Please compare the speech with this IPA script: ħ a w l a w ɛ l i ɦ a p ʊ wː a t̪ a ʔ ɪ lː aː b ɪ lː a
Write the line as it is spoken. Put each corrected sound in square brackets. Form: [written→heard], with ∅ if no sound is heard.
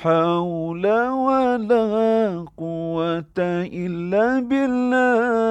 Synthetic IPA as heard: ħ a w l a w [ɛ→a] l [i→a] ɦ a [p→q] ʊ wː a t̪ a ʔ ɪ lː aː b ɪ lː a